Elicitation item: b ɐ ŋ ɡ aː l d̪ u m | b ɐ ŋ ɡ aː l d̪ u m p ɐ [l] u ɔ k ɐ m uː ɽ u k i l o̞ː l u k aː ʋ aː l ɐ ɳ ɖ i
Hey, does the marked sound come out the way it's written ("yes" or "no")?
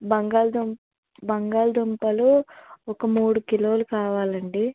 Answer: yes